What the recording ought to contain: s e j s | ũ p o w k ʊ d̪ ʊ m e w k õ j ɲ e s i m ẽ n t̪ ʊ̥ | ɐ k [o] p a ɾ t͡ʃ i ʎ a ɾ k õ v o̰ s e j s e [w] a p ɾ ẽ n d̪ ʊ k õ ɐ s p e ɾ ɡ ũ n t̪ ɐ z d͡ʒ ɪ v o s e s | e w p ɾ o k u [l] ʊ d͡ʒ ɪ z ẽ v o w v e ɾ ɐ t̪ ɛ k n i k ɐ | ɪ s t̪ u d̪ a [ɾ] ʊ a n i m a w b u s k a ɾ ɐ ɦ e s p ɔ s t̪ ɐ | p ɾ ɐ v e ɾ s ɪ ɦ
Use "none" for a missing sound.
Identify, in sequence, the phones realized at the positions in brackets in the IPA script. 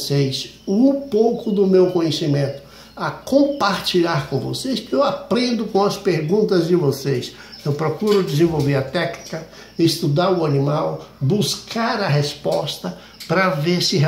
õ, w, ɾ, ɾ

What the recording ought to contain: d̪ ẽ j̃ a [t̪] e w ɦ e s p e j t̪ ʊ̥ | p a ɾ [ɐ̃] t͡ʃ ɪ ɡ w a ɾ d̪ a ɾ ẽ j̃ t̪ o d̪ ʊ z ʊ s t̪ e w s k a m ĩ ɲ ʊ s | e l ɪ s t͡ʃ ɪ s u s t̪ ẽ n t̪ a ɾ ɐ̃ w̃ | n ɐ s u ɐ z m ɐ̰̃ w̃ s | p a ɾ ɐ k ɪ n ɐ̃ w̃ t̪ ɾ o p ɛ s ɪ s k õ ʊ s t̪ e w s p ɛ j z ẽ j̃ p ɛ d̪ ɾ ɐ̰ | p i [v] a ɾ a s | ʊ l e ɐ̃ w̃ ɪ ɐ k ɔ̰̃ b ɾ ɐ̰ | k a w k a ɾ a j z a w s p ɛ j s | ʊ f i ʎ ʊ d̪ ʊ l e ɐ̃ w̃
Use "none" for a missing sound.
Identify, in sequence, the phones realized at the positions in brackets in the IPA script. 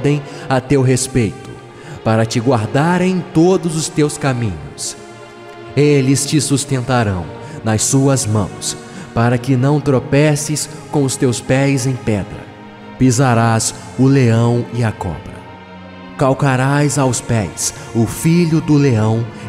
t̪, ɐ, z

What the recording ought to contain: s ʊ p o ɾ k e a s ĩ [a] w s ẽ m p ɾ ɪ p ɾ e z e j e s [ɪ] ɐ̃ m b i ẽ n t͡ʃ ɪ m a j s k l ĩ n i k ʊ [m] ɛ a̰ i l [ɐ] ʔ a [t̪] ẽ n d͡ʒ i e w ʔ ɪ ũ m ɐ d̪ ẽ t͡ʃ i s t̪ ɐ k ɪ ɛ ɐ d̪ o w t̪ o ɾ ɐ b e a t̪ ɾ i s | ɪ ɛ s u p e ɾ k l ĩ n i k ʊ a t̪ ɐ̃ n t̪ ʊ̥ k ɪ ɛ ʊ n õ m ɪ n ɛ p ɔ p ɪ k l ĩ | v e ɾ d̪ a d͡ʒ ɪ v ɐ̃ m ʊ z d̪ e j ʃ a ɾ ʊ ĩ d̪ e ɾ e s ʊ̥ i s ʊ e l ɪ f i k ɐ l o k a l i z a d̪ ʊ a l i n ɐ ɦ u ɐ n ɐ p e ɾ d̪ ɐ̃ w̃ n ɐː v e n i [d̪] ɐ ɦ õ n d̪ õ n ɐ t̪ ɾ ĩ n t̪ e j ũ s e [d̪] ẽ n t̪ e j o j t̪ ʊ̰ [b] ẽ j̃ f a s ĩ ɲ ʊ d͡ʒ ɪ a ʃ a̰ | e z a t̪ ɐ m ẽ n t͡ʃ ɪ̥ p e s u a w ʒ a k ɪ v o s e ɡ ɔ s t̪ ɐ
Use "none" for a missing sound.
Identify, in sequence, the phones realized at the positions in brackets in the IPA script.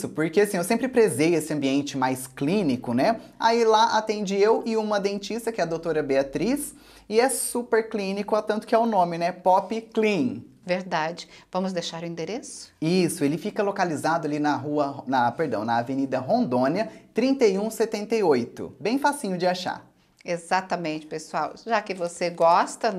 e, ɪ, n, a, t̪, d̪, t̪, b

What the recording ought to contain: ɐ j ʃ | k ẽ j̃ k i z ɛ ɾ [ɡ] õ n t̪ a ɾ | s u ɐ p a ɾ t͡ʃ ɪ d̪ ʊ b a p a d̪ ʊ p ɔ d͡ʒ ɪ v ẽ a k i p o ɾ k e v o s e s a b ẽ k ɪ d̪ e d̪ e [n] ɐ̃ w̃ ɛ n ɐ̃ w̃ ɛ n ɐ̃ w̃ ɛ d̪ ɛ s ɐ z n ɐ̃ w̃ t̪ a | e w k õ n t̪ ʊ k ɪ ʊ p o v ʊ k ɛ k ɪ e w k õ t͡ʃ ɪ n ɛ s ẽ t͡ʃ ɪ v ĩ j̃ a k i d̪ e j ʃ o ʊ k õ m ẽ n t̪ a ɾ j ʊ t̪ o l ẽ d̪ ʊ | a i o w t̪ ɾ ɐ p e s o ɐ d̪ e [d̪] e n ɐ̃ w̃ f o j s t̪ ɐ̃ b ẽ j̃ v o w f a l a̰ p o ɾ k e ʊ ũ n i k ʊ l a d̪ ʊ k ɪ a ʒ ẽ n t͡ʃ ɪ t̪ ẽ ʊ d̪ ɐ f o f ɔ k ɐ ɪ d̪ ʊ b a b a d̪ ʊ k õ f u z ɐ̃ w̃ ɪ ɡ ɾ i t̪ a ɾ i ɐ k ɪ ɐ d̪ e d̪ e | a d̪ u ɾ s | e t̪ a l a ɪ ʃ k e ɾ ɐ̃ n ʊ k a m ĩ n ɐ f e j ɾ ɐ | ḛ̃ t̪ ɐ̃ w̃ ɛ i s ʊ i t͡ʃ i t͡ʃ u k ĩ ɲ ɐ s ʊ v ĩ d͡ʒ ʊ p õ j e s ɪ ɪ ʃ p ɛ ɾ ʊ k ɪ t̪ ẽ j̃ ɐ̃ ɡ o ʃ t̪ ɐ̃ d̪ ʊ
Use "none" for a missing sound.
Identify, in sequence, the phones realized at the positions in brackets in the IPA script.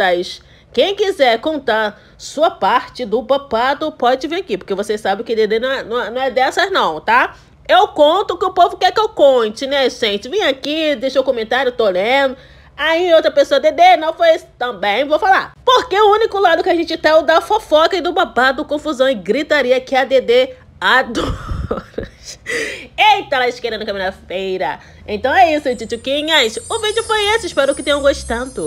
k, n, d̪

